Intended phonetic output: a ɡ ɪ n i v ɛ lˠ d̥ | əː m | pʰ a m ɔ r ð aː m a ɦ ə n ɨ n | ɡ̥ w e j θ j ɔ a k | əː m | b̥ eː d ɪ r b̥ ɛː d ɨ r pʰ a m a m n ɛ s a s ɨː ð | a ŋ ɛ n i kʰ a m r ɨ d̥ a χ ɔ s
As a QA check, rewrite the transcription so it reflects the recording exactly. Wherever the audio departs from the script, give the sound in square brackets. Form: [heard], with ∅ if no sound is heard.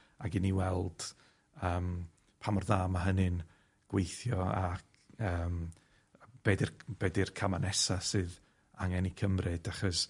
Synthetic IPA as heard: a ɡ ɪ n i [w] ɛ lˠ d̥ | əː m | pʰ a m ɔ r ð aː m a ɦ ə n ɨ n | ɡ̥ w e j θ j ɔ a k | əː m | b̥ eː d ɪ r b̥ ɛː d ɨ r [kʰ] a m a [∅] n ɛ s a s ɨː ð | a ŋ ɛ n i kʰ [ə] m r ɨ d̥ a χ ɔ s